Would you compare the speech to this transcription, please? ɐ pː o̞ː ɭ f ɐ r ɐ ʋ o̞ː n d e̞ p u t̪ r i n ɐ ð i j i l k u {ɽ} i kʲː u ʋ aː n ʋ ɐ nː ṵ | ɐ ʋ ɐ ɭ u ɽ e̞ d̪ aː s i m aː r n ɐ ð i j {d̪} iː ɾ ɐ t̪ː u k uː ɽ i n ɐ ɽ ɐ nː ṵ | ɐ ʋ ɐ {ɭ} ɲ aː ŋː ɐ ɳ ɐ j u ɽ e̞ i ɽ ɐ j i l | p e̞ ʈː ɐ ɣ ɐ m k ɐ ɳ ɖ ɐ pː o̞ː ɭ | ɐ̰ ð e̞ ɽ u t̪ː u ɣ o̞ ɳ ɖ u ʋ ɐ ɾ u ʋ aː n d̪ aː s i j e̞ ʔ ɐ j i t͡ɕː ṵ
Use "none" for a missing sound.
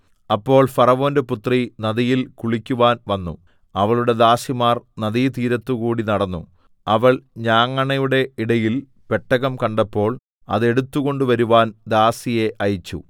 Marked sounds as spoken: ɭ, t̪, ɭ

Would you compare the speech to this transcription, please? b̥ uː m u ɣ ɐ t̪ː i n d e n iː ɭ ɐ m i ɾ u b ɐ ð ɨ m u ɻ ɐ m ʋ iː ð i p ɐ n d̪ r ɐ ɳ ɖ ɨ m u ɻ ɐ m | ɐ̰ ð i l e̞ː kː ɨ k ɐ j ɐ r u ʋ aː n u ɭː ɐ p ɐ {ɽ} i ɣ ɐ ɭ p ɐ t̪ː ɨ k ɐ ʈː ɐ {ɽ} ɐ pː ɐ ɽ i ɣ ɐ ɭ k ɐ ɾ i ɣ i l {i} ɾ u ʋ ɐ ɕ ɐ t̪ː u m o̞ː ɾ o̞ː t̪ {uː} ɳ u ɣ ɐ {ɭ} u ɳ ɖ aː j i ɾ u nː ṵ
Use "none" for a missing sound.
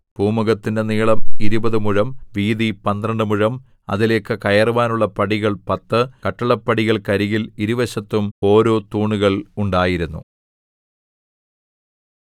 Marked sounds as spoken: ɽ, ɭ, i, uː, ɭ

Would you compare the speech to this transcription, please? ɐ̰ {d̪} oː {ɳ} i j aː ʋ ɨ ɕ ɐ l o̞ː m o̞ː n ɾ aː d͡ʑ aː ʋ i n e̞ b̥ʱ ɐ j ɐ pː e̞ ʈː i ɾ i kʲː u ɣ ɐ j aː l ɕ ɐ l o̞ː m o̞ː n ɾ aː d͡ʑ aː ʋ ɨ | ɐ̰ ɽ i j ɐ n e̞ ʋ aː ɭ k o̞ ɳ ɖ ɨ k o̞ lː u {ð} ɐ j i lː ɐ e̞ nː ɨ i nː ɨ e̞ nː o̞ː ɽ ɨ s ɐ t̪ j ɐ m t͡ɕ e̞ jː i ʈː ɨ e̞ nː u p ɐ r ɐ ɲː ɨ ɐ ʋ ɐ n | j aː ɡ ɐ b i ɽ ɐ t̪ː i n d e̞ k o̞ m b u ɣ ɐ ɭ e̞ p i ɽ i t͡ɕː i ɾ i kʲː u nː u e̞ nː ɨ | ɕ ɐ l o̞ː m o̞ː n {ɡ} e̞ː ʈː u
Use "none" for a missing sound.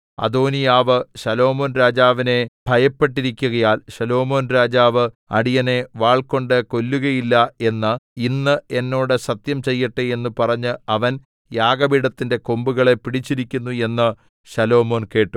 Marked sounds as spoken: d̪, n, ɣ, k

